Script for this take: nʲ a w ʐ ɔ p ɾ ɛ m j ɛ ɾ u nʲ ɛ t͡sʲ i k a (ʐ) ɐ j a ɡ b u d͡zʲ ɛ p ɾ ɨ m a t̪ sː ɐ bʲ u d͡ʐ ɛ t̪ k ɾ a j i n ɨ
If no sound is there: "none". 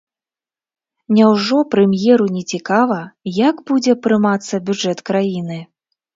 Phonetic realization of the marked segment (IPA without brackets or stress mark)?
v